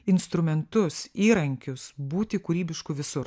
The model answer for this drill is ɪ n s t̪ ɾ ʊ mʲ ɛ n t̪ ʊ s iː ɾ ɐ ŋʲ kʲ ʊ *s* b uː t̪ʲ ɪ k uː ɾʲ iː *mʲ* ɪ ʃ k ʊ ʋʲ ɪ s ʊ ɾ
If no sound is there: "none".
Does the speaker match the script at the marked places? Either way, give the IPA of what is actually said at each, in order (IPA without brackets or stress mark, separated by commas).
s, bʲ